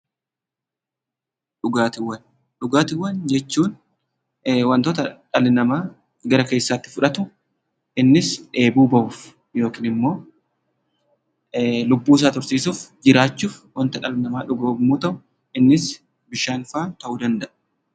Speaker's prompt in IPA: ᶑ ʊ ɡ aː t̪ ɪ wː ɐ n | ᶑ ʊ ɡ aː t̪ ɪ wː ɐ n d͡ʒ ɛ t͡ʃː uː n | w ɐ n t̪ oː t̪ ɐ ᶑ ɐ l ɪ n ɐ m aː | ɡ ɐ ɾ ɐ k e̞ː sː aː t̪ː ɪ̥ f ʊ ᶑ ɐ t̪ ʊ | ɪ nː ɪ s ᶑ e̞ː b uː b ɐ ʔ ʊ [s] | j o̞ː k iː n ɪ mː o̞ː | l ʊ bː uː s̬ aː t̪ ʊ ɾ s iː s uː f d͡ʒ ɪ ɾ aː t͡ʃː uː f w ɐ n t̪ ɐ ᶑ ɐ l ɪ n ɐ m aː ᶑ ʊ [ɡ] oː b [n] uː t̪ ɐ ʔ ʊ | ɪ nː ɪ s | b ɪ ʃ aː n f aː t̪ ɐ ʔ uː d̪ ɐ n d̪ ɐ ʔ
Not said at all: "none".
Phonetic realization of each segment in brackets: f, ɡ, m

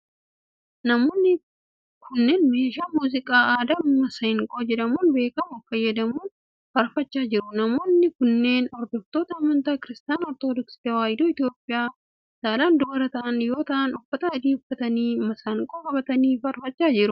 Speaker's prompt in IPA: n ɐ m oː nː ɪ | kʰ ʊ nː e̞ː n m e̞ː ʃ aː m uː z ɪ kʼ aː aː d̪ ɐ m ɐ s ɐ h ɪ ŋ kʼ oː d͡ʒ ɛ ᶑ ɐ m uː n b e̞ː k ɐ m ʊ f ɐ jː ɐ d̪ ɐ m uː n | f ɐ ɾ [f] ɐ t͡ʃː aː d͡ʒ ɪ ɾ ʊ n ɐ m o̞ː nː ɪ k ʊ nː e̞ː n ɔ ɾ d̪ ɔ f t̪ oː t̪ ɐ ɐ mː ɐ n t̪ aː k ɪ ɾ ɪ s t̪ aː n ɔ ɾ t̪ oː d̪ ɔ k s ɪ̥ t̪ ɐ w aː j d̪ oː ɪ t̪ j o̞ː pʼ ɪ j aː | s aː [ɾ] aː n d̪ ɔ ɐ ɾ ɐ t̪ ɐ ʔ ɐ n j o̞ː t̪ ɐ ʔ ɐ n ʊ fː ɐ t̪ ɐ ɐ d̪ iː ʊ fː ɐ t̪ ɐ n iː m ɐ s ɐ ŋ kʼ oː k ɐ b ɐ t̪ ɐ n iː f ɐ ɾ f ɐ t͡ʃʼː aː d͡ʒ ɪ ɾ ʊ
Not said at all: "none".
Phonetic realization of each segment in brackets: f, l

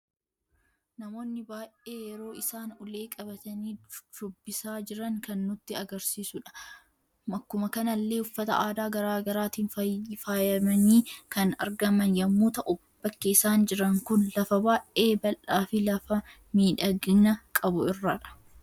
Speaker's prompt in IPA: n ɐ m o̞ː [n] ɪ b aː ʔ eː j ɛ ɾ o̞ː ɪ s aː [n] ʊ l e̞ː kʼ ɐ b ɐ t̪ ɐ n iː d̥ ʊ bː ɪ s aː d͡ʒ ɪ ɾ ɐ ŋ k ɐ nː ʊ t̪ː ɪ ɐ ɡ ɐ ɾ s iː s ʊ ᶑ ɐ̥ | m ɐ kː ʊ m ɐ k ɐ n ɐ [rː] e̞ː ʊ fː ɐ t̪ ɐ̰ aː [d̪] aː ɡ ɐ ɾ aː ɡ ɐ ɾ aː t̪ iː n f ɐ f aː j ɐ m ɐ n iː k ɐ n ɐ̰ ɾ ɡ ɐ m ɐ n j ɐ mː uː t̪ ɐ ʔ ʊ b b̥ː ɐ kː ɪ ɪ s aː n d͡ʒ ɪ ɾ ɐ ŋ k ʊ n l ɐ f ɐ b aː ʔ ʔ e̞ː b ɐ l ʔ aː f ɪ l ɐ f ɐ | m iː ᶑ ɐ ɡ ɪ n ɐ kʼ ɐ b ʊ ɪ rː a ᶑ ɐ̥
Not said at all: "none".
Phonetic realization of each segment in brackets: nː, n, lː, d̪

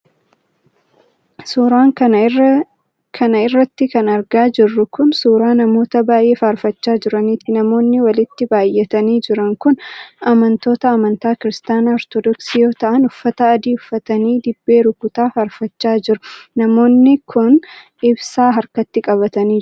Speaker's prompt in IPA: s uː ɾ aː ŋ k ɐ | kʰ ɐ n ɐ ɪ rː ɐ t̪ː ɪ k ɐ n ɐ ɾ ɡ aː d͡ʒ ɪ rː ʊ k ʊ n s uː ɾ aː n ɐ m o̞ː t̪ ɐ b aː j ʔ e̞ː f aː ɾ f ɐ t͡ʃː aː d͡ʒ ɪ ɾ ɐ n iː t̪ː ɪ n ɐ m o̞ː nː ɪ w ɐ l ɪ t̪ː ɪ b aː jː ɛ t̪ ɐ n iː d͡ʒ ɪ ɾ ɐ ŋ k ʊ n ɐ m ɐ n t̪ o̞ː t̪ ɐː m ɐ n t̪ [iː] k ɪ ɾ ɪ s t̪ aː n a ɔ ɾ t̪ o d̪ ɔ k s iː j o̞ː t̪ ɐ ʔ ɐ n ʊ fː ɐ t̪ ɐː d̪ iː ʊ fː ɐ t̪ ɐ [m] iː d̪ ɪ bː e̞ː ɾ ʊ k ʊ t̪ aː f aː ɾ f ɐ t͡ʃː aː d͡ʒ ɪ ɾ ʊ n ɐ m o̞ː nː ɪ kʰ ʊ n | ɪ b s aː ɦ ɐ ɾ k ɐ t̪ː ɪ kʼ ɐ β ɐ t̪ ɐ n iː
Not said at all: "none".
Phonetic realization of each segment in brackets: aː, n

